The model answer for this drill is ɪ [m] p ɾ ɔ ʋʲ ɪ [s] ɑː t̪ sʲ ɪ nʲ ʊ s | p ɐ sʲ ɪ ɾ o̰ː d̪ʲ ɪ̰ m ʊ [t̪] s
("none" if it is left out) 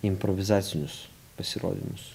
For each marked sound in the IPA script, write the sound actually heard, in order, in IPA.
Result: m, z, none

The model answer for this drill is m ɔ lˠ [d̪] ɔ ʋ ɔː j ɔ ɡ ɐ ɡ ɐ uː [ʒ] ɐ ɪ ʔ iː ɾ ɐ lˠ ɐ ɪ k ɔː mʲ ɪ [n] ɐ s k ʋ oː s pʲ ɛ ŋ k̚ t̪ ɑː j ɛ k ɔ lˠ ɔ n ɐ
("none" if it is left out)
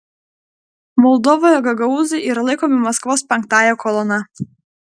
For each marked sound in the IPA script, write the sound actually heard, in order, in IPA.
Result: d̪, z, m

